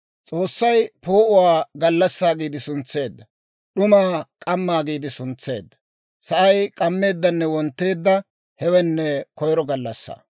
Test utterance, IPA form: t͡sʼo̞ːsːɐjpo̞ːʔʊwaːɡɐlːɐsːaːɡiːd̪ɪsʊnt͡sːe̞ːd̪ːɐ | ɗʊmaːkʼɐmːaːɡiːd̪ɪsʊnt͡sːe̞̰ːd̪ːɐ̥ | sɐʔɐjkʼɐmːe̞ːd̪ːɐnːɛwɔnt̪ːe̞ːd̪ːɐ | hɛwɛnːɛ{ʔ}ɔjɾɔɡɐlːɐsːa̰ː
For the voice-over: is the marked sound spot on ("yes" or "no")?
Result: no